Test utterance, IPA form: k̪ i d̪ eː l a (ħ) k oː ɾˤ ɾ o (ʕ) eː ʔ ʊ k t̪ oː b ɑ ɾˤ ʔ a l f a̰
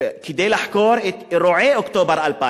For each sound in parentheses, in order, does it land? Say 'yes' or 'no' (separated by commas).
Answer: yes, yes